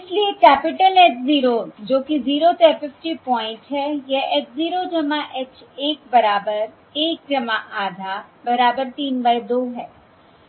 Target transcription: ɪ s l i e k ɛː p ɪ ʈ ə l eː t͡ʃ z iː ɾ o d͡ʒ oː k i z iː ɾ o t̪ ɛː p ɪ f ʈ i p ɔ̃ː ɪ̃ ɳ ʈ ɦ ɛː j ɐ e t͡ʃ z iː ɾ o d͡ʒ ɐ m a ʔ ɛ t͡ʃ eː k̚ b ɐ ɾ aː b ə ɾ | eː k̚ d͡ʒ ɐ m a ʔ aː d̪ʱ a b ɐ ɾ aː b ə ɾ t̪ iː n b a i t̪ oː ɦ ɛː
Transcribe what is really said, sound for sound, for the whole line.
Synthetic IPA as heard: ɪ s l i e k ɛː p ɪ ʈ ə l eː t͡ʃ z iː ɾ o d͡ʒ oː k i z iː ɾ o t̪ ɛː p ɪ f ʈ i p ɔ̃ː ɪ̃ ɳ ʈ ɦ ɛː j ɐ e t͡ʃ z iː ɾ o d͡ʒ ɐ m a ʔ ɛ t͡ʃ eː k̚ b ɐ ɾ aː b ə ɾ | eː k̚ d͡ʒ ɐ m a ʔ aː d̪ʱ a b ɐ ɾ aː b ə ɾ t̪ iː n b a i d̪ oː ɦ ɛː